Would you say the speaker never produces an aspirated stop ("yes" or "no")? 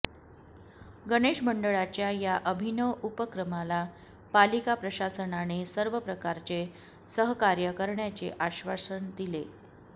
yes